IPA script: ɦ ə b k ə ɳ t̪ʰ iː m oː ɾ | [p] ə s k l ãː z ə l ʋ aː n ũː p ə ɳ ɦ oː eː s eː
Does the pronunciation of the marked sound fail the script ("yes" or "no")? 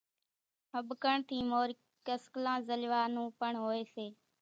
yes